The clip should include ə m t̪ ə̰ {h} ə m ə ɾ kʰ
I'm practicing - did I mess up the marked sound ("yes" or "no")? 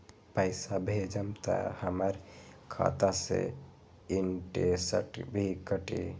no